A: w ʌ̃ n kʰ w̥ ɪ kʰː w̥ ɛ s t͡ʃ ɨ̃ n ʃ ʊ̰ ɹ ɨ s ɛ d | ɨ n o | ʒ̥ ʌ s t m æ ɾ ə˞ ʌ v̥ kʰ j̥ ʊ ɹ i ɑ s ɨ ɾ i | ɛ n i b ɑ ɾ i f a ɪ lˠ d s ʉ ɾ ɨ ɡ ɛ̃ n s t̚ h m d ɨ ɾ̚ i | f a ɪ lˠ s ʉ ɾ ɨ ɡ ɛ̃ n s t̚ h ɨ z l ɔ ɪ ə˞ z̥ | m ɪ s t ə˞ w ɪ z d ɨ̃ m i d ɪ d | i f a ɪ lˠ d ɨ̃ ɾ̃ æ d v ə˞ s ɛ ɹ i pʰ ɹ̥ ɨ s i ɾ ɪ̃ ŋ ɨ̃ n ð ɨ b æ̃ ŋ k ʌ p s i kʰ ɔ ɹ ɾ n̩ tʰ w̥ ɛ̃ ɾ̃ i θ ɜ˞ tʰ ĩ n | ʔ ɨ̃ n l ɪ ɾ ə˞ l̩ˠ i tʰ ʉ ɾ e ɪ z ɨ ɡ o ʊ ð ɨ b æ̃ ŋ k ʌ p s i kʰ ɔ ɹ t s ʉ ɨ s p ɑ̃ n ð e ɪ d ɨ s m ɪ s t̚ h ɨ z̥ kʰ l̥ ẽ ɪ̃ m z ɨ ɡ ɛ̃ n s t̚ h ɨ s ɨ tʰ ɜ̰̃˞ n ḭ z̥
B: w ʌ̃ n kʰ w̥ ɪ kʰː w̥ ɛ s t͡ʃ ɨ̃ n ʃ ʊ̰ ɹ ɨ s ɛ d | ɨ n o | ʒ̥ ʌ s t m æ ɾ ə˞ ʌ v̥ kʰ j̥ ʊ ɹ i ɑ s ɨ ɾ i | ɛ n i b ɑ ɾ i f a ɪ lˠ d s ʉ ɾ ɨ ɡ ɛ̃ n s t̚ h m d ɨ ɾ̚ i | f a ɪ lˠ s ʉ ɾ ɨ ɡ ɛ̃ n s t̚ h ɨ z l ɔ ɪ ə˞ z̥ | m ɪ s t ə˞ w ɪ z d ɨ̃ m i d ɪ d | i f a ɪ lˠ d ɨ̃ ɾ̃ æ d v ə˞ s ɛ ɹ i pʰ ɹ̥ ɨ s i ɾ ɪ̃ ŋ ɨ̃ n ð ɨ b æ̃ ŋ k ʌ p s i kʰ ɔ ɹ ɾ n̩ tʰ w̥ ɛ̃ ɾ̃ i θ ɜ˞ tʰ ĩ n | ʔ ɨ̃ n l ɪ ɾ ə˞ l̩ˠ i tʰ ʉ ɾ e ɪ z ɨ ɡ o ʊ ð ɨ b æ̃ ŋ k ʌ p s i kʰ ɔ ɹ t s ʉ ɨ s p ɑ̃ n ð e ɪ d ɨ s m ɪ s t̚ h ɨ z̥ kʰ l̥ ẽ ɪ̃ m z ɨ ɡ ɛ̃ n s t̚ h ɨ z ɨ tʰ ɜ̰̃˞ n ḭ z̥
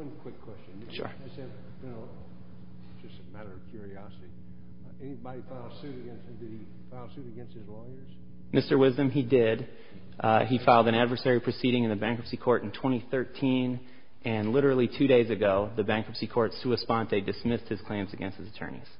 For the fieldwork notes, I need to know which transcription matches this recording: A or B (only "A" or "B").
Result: B